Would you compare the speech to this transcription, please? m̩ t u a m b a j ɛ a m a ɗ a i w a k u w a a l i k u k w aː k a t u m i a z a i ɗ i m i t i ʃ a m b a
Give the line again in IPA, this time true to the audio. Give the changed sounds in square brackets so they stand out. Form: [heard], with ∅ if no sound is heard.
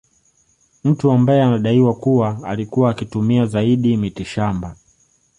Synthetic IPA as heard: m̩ t u a m b a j ɛ a [n] a ɗ a i w a k u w a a l i k u [∅] w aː k [i] t u m i a z a i ɗ i m i t i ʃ a m b a